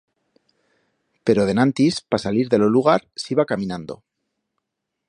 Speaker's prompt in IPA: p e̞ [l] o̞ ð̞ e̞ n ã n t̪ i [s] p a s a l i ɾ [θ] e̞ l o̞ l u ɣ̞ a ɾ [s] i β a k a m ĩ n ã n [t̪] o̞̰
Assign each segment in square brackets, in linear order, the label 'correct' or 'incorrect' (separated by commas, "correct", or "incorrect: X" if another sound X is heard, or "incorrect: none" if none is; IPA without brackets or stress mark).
incorrect: ɾ, correct, incorrect: ð, correct, incorrect: d̪